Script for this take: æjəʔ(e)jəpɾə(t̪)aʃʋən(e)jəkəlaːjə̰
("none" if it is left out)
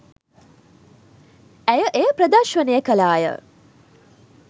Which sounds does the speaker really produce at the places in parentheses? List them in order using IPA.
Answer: e, d̪, e

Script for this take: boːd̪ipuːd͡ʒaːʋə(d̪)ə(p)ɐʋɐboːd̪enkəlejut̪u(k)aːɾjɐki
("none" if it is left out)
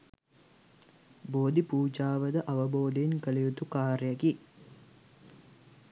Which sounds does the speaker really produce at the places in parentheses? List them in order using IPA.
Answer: d̪, ʔ, k

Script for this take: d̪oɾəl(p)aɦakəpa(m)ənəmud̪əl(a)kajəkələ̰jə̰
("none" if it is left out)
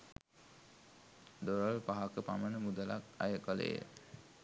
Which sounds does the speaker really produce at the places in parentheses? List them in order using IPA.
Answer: p, m, a

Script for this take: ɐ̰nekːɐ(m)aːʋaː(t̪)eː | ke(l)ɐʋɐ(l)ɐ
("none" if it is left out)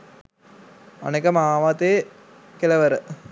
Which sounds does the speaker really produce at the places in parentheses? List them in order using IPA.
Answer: m, t̪, l, ɾ

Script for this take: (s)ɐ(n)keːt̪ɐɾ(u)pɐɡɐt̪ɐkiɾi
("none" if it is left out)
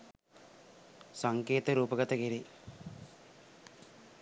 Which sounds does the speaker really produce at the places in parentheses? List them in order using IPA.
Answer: s, ŋ, uː

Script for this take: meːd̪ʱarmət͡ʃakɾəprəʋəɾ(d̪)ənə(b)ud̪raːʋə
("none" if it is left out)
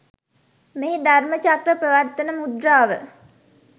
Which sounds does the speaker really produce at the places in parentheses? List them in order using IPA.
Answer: t̪, m

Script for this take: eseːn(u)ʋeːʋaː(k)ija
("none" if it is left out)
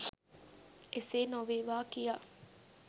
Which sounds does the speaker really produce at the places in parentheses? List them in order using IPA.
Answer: o, k

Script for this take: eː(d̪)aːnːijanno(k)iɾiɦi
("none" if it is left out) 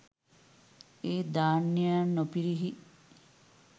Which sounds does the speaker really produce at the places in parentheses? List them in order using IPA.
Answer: d̪, p

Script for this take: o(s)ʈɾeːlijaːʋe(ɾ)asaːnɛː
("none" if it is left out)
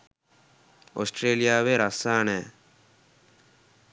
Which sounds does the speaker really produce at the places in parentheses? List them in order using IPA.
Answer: s, ɾ

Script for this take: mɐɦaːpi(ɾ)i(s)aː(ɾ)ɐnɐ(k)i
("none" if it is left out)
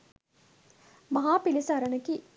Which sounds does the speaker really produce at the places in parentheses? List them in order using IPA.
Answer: l, s, ɾ, k

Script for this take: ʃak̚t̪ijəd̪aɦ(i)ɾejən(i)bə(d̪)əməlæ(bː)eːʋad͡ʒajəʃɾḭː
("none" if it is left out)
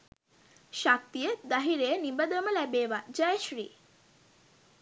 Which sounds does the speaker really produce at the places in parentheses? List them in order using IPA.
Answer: i, i, d̪, b

